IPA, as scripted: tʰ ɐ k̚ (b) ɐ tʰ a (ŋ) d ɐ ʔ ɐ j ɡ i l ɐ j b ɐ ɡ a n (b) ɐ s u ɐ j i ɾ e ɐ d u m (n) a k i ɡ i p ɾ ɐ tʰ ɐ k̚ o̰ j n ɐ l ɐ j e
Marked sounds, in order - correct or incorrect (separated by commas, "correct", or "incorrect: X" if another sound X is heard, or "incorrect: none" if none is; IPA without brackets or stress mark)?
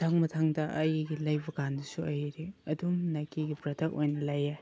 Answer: incorrect: m, correct, incorrect: d, correct